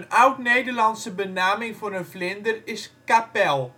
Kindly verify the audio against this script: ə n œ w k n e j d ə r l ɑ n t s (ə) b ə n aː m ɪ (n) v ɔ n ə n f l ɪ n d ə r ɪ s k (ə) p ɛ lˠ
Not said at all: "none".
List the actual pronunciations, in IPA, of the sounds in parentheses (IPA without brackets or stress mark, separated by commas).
ə, ŋ, a